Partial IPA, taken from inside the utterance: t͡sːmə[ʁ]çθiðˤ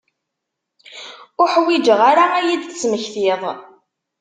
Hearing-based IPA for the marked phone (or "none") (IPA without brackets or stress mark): none